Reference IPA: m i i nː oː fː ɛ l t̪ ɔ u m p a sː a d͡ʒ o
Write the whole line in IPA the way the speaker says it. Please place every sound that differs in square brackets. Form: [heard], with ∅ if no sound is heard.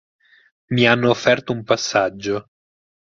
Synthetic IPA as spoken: m i [a] nː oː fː ɛ [r] t̪ [o] u m p a sː a [d͡ʒː] o